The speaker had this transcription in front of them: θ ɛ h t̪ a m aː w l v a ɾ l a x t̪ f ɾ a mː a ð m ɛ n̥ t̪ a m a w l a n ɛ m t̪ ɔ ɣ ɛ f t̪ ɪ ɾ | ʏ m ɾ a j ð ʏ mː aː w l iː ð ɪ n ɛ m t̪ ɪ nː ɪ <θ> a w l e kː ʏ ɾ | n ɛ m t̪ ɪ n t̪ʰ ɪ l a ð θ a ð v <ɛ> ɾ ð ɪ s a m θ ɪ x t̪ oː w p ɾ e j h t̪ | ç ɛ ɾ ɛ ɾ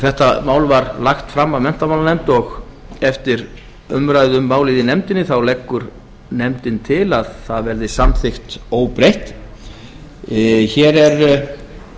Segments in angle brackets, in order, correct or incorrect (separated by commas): correct, correct